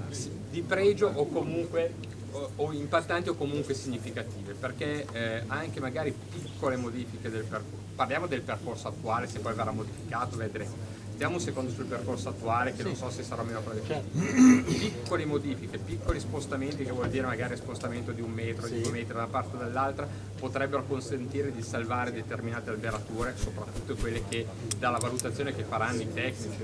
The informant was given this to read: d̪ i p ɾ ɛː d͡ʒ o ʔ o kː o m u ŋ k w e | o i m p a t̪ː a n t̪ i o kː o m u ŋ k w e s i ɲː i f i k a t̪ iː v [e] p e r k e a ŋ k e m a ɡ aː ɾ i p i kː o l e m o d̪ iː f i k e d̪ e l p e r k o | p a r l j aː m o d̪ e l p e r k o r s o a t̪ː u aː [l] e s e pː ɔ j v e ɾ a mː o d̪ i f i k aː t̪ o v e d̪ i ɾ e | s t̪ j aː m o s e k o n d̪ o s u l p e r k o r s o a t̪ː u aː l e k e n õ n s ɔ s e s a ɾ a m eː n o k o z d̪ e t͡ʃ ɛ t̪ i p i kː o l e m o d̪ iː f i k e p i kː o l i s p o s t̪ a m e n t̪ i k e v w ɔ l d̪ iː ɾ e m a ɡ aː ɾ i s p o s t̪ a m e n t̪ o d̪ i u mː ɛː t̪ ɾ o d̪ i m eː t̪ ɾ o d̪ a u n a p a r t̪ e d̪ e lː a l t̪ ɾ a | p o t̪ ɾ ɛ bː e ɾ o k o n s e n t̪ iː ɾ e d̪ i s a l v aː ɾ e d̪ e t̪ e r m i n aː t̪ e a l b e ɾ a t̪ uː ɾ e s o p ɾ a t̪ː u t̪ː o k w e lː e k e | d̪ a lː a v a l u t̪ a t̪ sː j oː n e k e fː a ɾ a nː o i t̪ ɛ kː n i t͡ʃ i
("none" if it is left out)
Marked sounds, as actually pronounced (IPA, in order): e, l

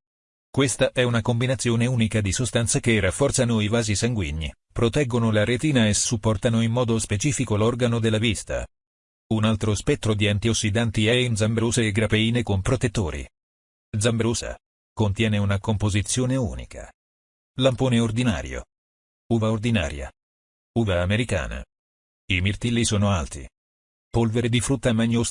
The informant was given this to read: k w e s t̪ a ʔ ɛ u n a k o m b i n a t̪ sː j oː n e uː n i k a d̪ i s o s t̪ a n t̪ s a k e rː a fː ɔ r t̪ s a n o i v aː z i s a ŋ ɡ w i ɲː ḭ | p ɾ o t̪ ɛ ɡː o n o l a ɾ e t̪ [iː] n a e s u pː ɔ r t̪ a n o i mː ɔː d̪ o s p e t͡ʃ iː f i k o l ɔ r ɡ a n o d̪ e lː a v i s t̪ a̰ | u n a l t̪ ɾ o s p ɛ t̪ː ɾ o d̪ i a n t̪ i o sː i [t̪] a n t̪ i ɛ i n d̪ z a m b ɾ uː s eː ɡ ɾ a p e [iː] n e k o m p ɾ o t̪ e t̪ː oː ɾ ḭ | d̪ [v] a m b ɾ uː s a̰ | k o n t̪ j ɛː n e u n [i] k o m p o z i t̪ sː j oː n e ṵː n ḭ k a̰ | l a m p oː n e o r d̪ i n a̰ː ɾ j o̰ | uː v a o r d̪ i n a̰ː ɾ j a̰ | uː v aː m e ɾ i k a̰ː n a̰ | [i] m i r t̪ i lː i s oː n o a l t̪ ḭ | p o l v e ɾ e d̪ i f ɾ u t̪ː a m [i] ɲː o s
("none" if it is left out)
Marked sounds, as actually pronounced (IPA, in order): iː, d̪, iː, z, a, i, a

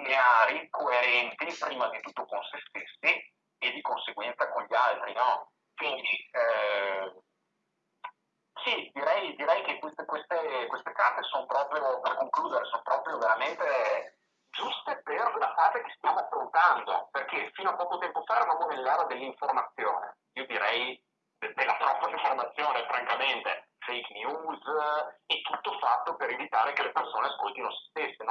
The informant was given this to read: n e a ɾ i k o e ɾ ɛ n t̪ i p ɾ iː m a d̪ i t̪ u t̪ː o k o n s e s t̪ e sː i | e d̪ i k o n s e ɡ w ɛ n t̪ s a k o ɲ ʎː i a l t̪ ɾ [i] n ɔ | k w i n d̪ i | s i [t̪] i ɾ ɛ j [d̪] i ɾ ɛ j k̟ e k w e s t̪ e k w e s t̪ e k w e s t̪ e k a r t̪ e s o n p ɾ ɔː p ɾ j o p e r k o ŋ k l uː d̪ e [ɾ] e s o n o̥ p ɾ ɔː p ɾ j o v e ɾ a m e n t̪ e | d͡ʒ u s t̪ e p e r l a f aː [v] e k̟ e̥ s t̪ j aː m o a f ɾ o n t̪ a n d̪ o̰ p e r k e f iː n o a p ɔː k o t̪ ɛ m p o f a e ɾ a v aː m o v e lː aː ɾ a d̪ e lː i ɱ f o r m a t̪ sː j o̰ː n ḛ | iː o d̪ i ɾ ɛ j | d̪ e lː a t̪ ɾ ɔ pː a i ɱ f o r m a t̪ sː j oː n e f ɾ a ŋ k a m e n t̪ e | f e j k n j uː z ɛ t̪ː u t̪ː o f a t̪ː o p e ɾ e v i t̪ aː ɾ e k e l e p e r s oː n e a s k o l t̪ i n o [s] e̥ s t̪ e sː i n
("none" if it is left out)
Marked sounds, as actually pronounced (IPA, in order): i, d̪, d̪, ɾ, z, s

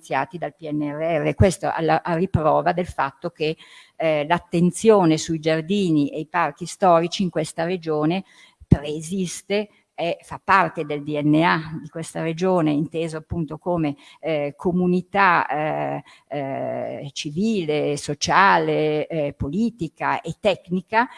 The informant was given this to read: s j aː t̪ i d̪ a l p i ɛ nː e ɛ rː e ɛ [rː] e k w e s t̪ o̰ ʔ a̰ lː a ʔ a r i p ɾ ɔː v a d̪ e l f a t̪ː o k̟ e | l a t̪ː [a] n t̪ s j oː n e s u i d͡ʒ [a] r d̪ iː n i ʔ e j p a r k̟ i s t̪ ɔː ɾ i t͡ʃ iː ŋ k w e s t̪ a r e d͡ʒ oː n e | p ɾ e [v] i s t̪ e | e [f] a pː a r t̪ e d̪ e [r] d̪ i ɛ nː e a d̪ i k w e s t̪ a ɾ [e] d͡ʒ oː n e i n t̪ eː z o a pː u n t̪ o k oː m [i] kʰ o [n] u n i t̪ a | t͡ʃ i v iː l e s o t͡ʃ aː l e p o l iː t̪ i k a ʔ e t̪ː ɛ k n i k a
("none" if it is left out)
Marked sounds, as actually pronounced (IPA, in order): rː, e, a, z, f, l, e, e, m

